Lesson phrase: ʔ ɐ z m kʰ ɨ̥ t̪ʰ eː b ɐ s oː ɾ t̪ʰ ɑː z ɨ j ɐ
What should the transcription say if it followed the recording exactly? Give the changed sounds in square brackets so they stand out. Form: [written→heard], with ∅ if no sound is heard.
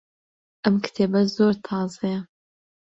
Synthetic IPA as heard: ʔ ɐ [z→∅] m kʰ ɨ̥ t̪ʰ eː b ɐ [s→z] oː ɾ t̪ʰ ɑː z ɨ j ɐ